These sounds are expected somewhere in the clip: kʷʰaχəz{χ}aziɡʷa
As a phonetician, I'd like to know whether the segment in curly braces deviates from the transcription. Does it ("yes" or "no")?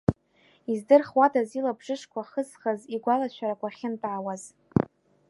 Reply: no